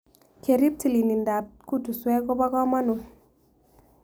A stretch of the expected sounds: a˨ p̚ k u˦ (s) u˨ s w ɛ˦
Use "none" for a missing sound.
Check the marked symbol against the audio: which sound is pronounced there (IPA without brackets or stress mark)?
t